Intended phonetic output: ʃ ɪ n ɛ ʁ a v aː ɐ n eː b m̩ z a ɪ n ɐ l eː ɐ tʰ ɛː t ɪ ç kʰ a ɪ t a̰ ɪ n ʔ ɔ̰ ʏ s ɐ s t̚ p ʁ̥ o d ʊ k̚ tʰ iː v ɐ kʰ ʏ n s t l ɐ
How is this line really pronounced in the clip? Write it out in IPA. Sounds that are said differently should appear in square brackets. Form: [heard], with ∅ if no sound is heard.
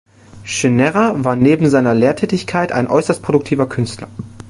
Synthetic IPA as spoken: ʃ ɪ n ɛ ʁ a v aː ɐ n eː b m̩ z a ɪ n ɐ l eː ɐ tʰ ɛː t ɪ ç kʰ a ɪ t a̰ ɪ n ʔ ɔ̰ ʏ s ɐ s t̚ p ʁ̥ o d ʊ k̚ tʰ iː v ɐ kʰ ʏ n s t l ɐ